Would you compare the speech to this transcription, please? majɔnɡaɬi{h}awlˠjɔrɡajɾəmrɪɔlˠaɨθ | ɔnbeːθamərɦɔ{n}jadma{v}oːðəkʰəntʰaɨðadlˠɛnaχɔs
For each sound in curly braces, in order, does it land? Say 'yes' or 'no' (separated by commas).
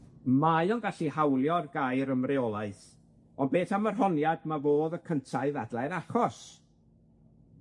yes, yes, yes